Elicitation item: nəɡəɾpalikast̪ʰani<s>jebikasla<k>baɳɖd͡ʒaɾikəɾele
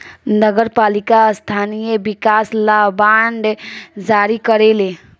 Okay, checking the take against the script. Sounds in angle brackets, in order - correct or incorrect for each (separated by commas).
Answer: incorrect, incorrect